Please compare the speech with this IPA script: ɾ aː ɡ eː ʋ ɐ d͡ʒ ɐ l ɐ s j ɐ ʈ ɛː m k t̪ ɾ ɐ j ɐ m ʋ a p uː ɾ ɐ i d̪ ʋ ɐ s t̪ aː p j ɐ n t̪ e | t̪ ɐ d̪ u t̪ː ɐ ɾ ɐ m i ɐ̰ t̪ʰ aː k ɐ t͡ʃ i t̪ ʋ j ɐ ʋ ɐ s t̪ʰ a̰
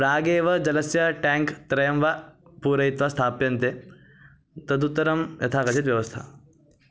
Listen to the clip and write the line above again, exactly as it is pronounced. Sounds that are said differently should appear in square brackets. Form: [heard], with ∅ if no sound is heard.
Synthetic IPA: ɾ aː ɡ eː ʋ ɐ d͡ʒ ɐ l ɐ s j ɐ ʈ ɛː [ŋ] k t̪ ɾ ɐ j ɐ m ʋ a p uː ɾ ɐ i [t̪] ʋ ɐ s [t̪ʰ] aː p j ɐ n t̪ e | t̪ ɐ d̪ u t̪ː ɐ ɾ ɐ m [j] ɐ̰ t̪ʰ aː k ɐ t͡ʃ i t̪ ʋ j ɐ ʋ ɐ s t̪ʰ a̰